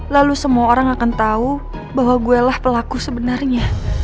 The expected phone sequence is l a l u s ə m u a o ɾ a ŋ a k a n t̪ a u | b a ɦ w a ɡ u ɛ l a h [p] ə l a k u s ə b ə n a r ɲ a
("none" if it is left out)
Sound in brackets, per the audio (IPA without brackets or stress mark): p